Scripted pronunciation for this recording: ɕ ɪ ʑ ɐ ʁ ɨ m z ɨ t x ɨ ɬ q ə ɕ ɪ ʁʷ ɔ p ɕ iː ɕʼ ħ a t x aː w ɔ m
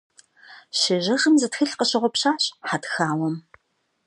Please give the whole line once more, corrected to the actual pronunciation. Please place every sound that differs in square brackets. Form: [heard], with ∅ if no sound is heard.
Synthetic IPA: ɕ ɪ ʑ ɐ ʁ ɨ m z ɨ t x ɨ ɬ q ə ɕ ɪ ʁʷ ɔ p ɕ [aː] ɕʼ ħ a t x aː w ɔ m